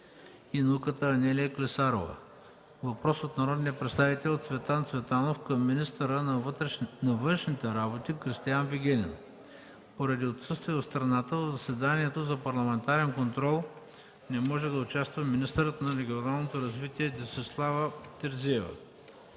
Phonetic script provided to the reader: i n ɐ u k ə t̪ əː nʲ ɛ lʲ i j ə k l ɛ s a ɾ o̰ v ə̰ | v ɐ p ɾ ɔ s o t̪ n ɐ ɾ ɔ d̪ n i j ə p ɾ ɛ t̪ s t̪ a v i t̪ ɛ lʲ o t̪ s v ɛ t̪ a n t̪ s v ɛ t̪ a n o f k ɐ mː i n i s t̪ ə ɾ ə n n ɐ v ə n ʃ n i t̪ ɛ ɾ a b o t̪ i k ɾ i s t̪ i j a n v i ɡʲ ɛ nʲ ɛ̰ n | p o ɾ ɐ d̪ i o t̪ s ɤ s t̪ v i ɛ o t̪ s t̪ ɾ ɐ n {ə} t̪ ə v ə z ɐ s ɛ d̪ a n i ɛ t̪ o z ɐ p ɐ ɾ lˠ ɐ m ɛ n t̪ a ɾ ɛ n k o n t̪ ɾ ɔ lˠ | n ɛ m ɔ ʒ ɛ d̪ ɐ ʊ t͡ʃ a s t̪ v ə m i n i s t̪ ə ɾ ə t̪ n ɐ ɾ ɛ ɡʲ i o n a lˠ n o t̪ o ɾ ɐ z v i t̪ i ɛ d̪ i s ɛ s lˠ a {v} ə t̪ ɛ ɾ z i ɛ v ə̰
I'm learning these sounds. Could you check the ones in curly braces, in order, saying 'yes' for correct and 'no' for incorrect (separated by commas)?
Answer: no, yes